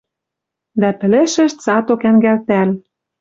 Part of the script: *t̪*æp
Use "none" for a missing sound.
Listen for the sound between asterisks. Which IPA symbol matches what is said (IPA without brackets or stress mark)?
d̪